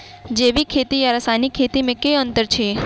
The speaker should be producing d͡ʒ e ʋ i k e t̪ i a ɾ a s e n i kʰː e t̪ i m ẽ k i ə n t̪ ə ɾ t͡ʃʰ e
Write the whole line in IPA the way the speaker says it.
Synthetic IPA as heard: d͡ʒ e ʋ i kʰ e t̪ i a ɾ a s a n i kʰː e t̪ i m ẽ k e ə n t̪ ə ɾ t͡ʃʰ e